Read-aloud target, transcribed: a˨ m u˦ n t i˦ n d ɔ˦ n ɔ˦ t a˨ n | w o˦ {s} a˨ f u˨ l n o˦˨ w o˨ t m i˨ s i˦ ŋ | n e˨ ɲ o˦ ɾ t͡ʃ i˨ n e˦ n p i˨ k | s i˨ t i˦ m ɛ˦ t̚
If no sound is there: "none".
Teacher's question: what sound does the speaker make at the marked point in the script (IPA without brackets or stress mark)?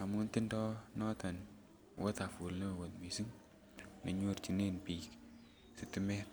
t